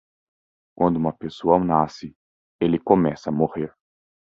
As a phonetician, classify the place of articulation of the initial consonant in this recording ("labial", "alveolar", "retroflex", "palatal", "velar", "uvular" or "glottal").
velar